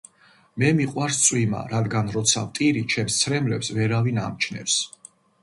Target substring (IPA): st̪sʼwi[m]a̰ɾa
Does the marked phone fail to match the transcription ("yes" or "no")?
no